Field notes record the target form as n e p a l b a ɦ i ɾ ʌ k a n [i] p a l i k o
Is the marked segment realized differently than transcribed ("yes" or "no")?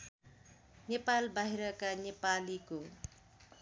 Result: yes